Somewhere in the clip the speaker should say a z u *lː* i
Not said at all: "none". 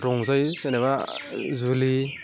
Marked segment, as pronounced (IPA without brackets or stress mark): l